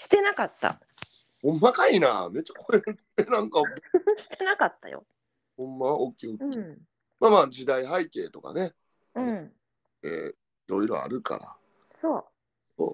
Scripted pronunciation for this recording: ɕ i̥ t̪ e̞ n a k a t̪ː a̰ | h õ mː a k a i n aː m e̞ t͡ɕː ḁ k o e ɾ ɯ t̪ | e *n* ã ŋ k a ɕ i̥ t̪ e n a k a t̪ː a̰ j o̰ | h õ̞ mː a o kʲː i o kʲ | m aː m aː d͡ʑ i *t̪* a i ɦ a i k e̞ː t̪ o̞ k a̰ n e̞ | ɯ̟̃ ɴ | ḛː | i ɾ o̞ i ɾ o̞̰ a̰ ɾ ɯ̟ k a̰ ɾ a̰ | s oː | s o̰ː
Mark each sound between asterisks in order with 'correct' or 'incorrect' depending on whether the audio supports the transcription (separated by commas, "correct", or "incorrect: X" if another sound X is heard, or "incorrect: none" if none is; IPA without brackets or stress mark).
correct, incorrect: d̪